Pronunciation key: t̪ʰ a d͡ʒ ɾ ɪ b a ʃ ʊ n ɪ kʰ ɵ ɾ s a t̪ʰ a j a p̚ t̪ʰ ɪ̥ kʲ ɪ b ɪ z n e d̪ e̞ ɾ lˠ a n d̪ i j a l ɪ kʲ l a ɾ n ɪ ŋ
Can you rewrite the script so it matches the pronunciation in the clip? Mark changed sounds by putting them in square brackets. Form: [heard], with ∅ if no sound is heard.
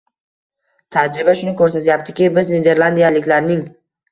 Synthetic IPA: t̪ʰ a d͡ʒ ɾ ɪ b a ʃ ʊ n ɪ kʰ ɵ ɾ s a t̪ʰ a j a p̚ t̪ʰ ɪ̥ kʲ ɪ b ɪ z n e d̪ e̞ ɾ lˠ a n d̪ i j a l ɪ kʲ l a ɾ n ɪ ŋ